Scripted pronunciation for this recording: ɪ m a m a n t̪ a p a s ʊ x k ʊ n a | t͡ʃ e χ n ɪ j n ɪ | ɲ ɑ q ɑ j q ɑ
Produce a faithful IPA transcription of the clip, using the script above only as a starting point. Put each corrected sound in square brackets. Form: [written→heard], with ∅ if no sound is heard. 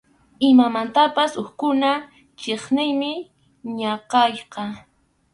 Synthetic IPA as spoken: ɪ m a m a n t̪ a p a s ʊ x k ʊ n a | t͡ʃ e χ n ɪ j [n→m] ɪ | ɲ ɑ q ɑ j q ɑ